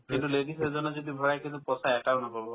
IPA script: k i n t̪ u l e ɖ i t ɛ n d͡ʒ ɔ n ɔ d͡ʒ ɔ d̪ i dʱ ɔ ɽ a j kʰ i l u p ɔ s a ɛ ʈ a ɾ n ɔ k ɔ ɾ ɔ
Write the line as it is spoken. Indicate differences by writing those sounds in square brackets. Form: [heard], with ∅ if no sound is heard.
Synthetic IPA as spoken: k i n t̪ u l e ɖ i [s] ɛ [∅] d͡ʒ ɔ n ɔ d͡ʒ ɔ d̪ i [bʱ] ɔ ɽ a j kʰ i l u p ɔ s a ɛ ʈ a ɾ n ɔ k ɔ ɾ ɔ

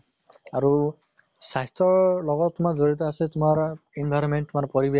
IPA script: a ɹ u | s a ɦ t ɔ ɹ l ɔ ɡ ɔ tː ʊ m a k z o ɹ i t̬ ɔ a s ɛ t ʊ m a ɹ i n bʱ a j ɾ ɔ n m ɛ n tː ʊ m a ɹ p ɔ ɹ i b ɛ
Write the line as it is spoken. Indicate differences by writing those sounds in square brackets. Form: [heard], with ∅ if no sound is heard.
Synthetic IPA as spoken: a ɹ u | s a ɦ t ɔ ɹ l ɔ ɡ ɔ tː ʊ m a k z o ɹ i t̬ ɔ a s ɛ t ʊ m a ɹ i n bʱ a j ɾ ɔ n m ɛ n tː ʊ m a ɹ p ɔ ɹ i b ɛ

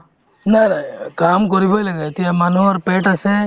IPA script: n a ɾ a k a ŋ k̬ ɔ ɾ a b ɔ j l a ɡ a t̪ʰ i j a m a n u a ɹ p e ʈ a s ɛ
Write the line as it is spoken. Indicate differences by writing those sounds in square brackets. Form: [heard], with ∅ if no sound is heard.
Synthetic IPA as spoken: n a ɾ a k a [m] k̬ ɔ ɾ [i] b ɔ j l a ɡ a [t̪] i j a m a n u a [ɾ] p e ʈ a s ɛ

